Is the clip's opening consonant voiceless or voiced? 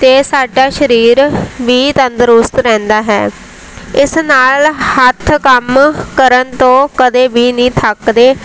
voiceless